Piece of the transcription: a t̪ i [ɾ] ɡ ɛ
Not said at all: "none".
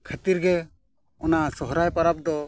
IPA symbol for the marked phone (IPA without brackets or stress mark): ɾ